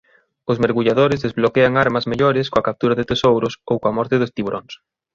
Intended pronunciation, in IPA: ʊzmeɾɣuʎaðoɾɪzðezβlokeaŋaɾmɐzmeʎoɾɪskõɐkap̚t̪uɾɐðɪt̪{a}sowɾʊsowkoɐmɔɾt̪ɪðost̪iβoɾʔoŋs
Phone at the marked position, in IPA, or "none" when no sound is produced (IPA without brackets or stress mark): e